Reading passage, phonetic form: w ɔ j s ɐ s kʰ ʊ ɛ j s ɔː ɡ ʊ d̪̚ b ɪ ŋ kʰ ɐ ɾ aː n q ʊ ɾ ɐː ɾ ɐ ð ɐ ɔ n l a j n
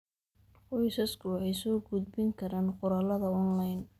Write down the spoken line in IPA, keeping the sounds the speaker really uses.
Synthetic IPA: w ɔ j s ɐ s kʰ ʊ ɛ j s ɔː ɡ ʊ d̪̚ b ɪ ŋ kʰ ɐ ɾ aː n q ʊ ɾ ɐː l ɐ ð ɐ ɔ n l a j n